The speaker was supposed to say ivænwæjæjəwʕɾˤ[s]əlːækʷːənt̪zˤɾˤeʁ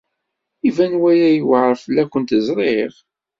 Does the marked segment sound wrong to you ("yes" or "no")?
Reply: yes